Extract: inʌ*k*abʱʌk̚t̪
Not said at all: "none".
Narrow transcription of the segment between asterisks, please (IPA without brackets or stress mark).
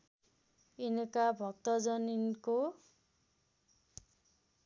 k